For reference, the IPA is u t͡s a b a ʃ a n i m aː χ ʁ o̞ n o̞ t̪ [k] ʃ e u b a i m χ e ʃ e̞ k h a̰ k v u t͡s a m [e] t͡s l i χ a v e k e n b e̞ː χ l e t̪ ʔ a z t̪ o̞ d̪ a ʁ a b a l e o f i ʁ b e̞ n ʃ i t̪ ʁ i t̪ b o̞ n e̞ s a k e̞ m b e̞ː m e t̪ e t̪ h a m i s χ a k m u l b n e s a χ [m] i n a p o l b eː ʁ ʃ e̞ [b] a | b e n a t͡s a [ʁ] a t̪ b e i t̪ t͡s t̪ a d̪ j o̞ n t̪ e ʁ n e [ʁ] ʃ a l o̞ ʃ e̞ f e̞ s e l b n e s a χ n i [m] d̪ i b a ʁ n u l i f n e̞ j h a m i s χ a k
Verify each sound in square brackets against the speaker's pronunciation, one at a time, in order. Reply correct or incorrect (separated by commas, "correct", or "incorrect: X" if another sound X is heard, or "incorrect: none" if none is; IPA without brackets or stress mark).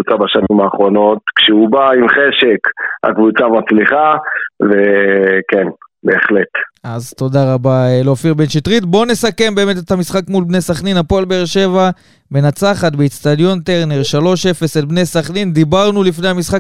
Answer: correct, incorrect: a, incorrect: n, incorrect: v, incorrect: χ, correct, incorrect: n